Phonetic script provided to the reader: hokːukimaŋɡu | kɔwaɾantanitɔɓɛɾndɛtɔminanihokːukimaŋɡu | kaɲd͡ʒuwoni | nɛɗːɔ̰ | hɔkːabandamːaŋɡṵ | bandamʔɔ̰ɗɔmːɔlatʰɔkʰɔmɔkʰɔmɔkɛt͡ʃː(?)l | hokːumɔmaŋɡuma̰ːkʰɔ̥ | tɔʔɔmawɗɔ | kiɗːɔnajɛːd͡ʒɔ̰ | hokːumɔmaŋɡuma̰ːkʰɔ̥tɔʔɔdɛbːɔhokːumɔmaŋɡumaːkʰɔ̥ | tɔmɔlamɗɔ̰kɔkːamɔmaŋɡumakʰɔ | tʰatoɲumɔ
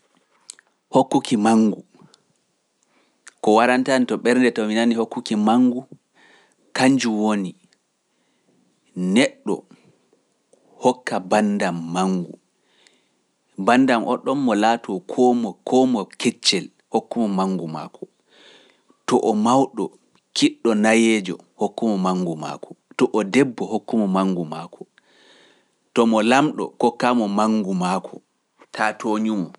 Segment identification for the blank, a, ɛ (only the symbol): ɛ